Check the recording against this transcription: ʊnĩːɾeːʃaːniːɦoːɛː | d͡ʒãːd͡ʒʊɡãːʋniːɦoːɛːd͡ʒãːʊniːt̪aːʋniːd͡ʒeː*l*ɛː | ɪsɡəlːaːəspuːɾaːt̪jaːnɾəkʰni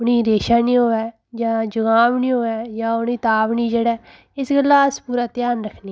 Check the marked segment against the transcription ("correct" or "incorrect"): incorrect